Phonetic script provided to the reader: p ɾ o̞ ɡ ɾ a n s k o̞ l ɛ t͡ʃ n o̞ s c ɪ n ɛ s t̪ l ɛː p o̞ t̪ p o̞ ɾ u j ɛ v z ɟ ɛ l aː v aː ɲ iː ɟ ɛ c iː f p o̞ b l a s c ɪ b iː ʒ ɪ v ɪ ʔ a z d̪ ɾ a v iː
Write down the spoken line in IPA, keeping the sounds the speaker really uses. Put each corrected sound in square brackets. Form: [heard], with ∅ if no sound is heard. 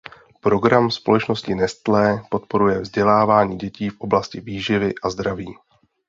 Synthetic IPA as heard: p ɾ o̞ ɡ ɾ a [m] s [p] o̞ l ɛ t͡ʃ n o̞ s c ɪ n ɛ s t̪ l ɛː p o̞ t̪ p o̞ ɾ u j ɛ v z ɟ ɛ l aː v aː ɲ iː ɟ ɛ c iː f [ʔ] o̞ b l a s c ɪ [v] iː ʒ ɪ v ɪ ʔ a z d̪ ɾ a v iː